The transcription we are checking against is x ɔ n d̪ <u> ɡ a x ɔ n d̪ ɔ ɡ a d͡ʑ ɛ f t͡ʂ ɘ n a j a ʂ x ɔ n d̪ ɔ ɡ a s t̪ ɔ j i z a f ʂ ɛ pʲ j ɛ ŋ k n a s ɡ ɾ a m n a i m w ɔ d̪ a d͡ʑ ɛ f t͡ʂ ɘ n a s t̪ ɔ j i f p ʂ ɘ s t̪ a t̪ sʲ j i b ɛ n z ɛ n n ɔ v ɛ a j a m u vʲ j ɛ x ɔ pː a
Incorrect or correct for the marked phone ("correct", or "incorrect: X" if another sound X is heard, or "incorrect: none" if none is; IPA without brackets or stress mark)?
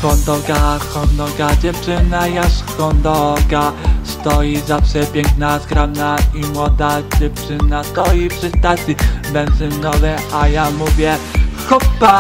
incorrect: ɔ